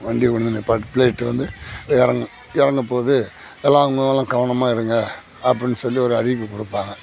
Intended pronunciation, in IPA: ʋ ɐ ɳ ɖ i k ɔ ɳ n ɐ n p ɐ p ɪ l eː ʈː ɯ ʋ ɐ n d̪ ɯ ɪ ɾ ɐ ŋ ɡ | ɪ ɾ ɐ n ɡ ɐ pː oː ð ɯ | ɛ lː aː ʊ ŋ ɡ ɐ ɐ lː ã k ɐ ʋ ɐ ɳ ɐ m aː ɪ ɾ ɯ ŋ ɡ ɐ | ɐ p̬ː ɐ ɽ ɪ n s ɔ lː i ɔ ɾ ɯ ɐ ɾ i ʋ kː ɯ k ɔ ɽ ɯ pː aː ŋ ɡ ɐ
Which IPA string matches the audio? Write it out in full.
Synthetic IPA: ʋ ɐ ɳ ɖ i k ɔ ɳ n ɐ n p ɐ p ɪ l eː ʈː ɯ ʋ ɐ n d̪ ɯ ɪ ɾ ɐ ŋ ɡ | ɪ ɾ ɐ ŋ ɡ ɐ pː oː ð ɯ | ɛ lː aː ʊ ŋ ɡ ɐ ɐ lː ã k ɐ ʋ ɐ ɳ ɐ m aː ɪ ɾ ɯ ŋ ɡ ɐ | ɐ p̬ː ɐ ɽ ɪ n s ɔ lː i ɔ ɾ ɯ ɐ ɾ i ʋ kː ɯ k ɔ ɽ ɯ pː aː ŋ ɡ ɐ